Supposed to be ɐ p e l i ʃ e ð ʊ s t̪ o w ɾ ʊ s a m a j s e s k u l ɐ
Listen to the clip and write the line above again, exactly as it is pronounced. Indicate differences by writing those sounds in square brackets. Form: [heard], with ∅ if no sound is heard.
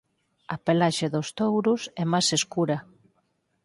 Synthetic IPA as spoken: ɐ p e l [a] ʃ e ð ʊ s t̪ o w ɾ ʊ s [ɛ] m a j s e s k u [ɾ] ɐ

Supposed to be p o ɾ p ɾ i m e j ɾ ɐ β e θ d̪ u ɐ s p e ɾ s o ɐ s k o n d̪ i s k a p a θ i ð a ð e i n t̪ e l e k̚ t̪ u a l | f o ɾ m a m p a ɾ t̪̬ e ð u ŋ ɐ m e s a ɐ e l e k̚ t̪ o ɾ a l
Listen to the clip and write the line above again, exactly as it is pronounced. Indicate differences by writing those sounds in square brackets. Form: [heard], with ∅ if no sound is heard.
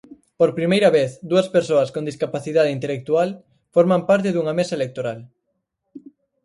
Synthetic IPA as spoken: p o ɾ p ɾ i m e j ɾ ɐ β e θ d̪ u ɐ s p e ɾ s o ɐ s k o n d̪ i s k a p a θ i ð a ð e i n t̪ e l e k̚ t̪ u a l | f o ɾ m a m p a ɾ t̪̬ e ð u ŋ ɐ m e s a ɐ e l e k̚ t̪ o ɾ a l

